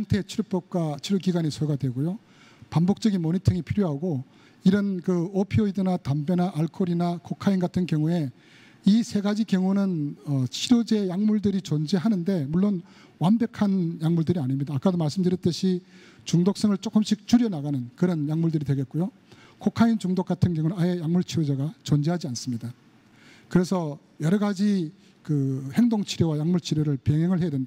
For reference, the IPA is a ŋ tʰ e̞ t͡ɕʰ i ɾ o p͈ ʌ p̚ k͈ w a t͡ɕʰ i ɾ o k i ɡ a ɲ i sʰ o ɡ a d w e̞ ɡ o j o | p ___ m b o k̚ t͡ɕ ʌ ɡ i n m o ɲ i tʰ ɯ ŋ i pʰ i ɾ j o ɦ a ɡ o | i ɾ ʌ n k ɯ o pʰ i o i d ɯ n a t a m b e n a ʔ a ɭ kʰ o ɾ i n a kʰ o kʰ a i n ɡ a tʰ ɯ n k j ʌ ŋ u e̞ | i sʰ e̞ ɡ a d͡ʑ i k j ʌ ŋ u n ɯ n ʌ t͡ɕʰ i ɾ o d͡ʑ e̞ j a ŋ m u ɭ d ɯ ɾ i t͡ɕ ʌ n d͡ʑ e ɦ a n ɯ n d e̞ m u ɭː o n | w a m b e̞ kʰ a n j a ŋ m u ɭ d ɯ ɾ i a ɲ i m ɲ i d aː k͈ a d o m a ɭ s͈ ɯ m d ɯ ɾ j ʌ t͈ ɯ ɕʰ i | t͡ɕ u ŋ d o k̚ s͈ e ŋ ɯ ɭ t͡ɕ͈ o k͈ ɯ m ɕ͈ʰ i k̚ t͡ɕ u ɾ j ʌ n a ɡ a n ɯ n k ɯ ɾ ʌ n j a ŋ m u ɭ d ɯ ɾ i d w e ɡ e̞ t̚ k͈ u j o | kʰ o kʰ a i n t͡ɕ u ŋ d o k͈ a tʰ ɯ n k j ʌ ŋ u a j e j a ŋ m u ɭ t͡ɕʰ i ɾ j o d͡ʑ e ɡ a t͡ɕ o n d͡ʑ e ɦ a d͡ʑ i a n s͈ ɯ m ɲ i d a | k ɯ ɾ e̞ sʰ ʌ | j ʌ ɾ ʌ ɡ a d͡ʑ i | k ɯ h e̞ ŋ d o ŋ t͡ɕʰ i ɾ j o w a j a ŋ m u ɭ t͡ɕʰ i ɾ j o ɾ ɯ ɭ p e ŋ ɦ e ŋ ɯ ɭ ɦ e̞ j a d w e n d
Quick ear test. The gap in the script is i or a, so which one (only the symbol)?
a